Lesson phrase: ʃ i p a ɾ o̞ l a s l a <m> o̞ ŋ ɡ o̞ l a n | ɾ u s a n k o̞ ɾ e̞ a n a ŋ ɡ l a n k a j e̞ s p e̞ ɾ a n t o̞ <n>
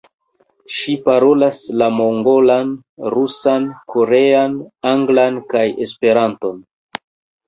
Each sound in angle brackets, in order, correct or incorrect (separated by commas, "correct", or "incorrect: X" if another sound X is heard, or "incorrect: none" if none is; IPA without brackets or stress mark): correct, correct